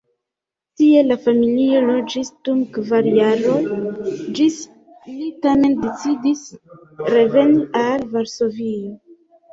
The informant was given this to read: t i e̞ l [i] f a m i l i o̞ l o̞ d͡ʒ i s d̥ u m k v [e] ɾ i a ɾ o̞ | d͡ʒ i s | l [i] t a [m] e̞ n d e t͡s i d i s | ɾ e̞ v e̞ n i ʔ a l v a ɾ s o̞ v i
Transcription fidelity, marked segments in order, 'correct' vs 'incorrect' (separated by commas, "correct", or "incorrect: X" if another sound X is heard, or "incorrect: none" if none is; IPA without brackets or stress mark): incorrect: a, incorrect: a, correct, correct